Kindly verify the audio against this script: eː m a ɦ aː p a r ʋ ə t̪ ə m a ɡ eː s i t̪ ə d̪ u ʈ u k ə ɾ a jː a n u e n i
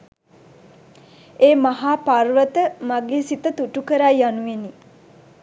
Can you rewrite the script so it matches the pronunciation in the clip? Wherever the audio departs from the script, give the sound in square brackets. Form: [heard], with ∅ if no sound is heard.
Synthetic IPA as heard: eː m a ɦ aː p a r ʋ ə t̪ ə m a ɡ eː s i t̪ ə [t̪] u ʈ u k ə ɾ a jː a n u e n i